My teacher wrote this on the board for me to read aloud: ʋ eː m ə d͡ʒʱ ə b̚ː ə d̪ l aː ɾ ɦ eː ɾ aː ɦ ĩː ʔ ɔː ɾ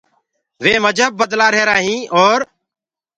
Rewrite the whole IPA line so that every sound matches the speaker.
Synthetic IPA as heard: ʋ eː m ə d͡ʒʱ ə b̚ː ə d̪ l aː ɾ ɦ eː ɾ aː ɦ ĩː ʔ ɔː ɾ